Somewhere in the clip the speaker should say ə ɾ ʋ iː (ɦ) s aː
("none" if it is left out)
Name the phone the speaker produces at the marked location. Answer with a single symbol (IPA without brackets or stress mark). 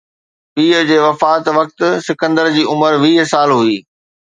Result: ɦ